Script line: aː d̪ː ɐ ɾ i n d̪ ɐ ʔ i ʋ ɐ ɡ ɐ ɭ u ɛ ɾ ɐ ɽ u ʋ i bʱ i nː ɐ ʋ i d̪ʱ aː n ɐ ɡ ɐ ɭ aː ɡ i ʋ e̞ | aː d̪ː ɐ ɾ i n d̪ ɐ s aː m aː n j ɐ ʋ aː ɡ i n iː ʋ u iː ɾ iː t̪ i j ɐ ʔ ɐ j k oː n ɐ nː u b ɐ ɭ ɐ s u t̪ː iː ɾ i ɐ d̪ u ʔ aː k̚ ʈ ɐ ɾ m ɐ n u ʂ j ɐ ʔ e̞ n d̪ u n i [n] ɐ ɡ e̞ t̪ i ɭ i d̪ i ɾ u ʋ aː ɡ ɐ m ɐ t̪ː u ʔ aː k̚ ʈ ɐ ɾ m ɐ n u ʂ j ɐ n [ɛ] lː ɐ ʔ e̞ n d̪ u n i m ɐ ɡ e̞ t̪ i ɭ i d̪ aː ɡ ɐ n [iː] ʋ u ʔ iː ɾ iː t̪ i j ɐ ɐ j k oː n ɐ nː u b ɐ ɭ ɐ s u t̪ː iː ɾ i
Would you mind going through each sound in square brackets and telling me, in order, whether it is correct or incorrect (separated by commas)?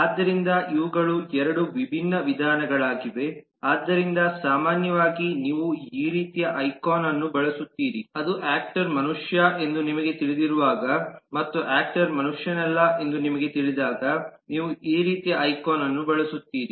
incorrect, correct, correct